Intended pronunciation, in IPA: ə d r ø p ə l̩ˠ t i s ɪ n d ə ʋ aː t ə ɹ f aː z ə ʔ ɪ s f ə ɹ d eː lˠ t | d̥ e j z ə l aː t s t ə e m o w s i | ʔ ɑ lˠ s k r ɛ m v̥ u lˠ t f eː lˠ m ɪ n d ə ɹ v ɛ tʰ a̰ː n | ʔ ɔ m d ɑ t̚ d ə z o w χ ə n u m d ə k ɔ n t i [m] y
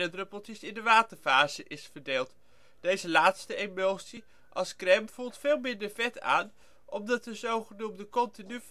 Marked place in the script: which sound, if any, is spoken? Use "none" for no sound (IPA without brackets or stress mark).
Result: n